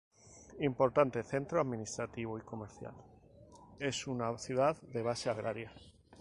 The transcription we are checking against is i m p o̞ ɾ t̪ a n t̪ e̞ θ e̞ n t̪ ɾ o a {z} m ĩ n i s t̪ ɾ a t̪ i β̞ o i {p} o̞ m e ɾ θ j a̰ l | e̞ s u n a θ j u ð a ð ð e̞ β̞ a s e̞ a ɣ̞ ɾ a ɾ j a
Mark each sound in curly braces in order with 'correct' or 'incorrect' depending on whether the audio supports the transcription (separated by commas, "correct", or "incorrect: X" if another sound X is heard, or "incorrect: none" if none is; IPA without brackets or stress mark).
incorrect: ð, incorrect: k